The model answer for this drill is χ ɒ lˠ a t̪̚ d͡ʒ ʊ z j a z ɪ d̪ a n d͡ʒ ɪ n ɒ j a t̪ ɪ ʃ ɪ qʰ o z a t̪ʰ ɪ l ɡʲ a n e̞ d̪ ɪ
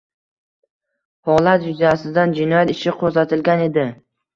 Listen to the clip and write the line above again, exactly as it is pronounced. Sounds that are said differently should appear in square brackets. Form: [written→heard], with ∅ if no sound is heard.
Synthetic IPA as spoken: [χ→h] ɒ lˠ a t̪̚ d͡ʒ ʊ z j a [z→s] ɪ d̪ a n d͡ʒ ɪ n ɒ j a t̪ ɪ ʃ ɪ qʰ o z a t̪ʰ ɪ l ɡʲ a n e̞ d̪ ɪ